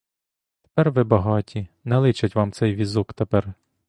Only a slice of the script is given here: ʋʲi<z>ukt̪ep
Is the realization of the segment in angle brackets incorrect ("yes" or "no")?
no